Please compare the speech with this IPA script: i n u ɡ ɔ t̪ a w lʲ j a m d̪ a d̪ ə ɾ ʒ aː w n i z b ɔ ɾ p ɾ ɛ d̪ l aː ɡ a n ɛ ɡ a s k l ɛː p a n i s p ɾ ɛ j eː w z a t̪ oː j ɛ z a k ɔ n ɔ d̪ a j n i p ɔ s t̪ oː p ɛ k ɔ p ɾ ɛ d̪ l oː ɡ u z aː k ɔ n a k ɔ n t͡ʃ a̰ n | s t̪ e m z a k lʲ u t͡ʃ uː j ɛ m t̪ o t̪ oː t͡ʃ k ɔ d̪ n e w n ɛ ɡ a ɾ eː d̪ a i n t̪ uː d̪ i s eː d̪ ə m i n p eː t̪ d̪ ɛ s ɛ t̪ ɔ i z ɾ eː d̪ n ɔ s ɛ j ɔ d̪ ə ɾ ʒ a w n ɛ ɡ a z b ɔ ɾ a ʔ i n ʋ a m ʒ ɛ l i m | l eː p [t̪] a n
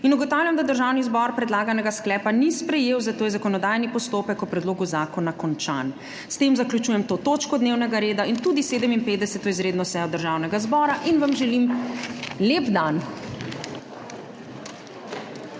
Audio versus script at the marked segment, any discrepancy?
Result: yes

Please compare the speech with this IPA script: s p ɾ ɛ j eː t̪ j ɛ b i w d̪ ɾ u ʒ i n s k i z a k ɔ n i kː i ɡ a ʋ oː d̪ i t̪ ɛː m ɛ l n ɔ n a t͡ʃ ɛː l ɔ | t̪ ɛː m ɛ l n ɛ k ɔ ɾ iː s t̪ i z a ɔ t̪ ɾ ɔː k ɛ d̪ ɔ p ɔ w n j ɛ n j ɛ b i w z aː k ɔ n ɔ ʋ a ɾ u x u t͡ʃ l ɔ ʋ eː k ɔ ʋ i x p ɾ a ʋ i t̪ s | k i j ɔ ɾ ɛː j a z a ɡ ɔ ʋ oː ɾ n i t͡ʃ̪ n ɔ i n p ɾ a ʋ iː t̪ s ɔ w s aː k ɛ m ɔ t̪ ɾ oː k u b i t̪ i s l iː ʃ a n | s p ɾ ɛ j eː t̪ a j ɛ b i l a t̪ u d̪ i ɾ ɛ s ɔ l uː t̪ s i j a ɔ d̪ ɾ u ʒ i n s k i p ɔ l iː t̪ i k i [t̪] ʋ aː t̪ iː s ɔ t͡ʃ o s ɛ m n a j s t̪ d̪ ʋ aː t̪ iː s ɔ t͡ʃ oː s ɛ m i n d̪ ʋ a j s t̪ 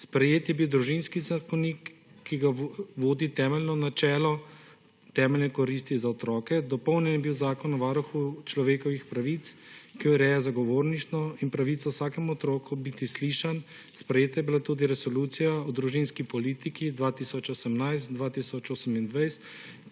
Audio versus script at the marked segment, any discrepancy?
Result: yes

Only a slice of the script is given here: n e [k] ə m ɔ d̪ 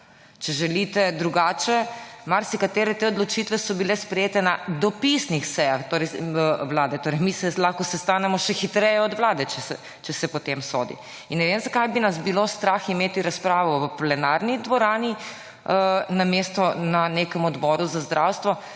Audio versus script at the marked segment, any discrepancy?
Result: no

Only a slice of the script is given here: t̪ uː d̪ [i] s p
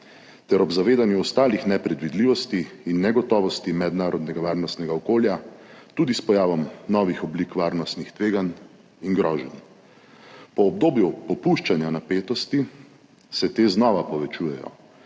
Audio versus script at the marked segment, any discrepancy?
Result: no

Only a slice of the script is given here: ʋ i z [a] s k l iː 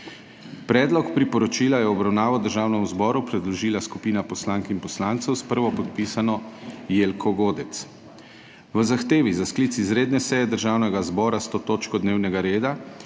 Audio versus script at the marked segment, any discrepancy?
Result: no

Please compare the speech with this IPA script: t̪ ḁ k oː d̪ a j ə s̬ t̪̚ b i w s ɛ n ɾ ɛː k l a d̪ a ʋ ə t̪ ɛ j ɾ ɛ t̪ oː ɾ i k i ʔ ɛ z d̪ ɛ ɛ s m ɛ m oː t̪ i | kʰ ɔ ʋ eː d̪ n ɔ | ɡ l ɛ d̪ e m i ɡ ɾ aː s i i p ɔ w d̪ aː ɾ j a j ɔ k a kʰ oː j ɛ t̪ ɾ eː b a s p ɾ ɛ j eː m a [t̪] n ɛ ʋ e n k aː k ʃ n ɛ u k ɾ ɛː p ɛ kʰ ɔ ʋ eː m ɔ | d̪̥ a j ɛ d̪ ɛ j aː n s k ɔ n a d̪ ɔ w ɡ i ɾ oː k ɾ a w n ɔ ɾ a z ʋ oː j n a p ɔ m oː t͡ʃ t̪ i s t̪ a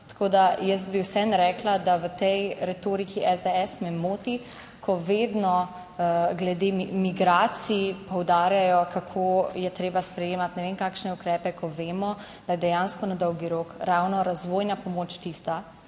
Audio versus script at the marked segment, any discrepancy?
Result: no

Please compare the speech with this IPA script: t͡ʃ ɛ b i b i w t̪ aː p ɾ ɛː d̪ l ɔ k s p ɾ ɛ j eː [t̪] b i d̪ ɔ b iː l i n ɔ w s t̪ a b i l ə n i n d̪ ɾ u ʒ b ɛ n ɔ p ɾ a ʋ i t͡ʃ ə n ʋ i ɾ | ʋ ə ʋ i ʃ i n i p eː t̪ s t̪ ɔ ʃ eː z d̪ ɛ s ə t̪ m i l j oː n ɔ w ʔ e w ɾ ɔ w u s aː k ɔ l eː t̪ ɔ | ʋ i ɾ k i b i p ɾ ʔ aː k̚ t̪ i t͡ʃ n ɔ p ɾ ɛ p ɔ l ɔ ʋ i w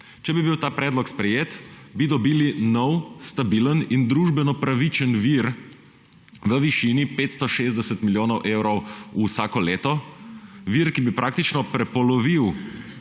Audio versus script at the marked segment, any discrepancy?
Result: no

